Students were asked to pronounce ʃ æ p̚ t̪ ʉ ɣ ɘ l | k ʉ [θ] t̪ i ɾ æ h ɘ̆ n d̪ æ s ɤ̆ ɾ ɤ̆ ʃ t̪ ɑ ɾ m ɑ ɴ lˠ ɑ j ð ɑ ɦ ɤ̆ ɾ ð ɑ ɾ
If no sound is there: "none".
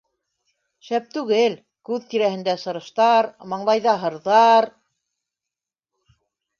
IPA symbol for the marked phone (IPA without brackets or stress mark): ð